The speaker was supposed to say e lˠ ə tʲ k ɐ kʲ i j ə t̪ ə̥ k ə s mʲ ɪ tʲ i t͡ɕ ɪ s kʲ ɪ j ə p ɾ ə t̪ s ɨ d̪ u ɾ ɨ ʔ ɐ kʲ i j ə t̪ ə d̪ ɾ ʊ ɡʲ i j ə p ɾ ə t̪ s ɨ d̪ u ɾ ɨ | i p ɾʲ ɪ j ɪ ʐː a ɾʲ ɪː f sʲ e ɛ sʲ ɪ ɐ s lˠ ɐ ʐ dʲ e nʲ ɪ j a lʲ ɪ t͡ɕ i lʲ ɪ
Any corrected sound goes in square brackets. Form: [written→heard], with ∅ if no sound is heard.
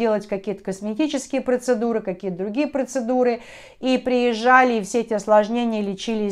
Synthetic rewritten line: e lˠ ə tʲ k ɐ kʲ i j ə t̪ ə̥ k ə s mʲ ɪ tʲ i t͡ɕ ɪ s kʲ ɪ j ə p ɾ ə t̪ s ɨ d̪ u ɾ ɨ [ʔ→k] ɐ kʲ i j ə t̪ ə d̪ ɾ ʊ ɡʲ i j ə p ɾ ə t̪ s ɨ d̪ u ɾ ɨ | i p ɾʲ ɪ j ɪ ʐː a [ɾʲ→lʲ] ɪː f sʲ e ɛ [sʲ→tʲ] ɪ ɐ s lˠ ɐ ʐ [dʲ→nʲ] e nʲ ɪ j [a→ə] lʲ ɪ t͡ɕ i lʲ ɪ